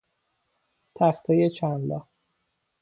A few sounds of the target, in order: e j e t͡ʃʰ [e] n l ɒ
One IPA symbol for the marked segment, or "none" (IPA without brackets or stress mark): æ